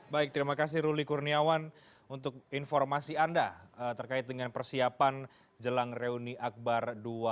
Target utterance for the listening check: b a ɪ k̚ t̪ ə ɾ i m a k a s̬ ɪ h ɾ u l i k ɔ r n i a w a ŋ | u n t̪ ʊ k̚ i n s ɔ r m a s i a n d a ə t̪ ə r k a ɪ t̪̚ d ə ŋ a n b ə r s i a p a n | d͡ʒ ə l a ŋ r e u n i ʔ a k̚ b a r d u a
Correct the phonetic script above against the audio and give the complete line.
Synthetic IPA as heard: b a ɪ k̚ t̪ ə ɾ i m a k a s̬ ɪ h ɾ u l i k u r n i a w a n | u n t̪ ʊ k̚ i n f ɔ r m a s i a n d a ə t̪ ə r k a ɪ t̪̚ d ə ŋ a n p ə r s i a p a n | d͡ʒ ə l a ŋ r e u n i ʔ a k̚ b a r d u a